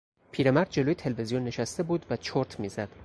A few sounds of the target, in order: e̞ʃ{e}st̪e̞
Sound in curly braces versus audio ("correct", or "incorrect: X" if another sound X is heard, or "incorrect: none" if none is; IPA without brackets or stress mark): incorrect: æ